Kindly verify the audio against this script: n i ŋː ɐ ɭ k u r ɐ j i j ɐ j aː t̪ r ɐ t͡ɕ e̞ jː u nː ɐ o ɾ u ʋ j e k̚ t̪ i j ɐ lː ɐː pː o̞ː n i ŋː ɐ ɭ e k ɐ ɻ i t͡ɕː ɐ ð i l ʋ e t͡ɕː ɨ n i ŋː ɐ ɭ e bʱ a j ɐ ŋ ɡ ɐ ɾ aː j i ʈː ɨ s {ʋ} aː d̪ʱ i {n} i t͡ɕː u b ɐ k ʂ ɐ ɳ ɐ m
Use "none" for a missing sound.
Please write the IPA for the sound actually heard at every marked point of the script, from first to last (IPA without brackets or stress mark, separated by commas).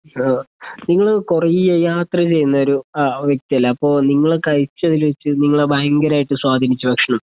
w, n